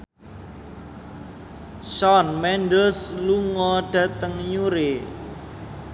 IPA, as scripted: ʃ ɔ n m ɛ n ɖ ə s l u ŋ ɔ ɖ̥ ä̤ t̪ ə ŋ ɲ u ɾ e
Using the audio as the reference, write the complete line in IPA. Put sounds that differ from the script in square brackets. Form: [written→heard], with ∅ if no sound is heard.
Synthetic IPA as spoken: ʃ ɔ n m ɛ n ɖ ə s l u ŋ ɔ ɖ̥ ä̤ t̪ ə ŋ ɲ u ɾ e

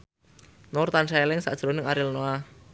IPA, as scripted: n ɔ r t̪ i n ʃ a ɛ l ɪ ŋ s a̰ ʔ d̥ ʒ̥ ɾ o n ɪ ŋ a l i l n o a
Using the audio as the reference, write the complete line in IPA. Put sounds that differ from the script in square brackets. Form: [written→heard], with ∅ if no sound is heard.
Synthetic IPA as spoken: n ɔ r t̪ [i→a] n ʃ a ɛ l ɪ ŋ s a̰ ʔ d̥ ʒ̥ ɾ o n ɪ ŋ a [l→ɾ] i l n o a

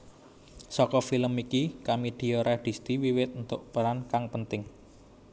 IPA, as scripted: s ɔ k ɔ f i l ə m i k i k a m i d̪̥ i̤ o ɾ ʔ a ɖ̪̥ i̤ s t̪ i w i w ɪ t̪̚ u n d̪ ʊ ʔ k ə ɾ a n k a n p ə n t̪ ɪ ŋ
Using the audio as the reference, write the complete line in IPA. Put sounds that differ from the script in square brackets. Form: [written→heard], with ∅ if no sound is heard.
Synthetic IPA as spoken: s ɔ k ɔ f i l ə m i k i k a m i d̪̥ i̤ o ɾ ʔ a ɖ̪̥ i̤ s t̪ i w i w ɪ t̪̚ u n [d̪→t̪] ʊ ʔ [k→p] ə ɾ a n k a [n→ŋ] p ə n t̪ ɪ ŋ

